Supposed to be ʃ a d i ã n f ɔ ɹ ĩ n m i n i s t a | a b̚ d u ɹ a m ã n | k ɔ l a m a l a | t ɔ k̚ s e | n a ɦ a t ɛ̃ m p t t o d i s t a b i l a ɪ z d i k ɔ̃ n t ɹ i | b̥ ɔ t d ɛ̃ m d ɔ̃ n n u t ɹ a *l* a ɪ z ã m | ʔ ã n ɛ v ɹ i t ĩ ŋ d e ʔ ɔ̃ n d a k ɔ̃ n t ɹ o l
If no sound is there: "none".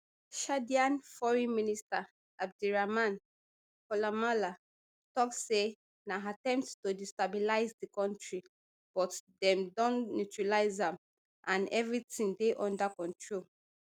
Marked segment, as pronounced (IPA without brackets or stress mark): l